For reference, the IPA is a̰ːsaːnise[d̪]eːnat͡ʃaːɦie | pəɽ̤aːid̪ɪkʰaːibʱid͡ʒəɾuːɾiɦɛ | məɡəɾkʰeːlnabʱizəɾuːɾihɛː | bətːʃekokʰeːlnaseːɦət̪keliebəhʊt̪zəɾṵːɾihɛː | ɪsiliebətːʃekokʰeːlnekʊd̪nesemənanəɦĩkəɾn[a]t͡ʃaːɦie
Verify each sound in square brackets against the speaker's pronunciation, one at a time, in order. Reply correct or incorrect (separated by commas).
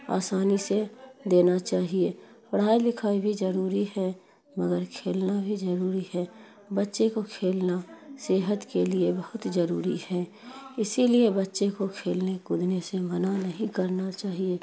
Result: correct, correct